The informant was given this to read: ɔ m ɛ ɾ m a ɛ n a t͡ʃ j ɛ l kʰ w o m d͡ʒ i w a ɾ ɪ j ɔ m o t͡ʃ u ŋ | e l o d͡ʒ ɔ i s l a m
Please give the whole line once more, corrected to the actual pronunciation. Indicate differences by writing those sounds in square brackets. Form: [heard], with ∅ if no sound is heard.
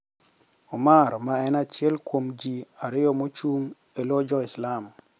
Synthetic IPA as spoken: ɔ m [a] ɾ m a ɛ n a t͡ʃ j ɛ l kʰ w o m d͡ʒ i [∅] a ɾ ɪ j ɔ m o t͡ʃ u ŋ | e l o d͡ʒ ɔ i s l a m